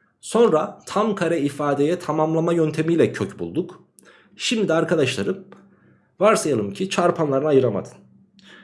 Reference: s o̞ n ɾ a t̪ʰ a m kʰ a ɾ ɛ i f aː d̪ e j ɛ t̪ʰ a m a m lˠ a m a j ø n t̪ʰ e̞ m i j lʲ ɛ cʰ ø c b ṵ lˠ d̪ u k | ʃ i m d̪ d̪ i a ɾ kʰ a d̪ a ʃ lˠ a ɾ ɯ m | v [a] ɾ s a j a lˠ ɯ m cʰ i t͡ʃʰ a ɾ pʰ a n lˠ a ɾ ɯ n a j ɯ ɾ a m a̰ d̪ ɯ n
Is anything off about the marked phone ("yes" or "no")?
no